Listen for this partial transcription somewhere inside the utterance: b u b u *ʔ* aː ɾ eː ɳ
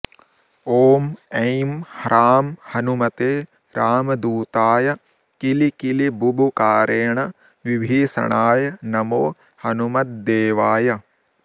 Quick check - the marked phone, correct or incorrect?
incorrect